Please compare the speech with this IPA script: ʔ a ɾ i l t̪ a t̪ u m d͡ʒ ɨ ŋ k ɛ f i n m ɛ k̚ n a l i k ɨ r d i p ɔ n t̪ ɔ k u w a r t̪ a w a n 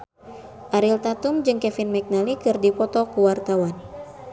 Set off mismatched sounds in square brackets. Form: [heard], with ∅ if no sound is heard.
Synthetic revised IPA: ʔ a ɾ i l t̪ a t̪ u m d͡ʒ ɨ ŋ k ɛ f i n m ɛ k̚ n a l i k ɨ r d i p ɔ [∅] t̪ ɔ k u w a r t̪ a w a n